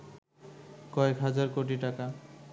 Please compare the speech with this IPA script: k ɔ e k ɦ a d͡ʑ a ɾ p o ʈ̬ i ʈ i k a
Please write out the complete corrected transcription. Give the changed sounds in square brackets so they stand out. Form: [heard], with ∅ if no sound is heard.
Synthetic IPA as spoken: k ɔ e k ɦ a d͡ʑ a ɾ [k] o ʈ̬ i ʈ [a] k a